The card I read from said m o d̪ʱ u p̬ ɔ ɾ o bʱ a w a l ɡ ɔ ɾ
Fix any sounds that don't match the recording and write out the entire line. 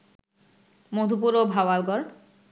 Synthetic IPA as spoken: m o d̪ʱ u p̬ u ɾ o bʱ a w a l ɡ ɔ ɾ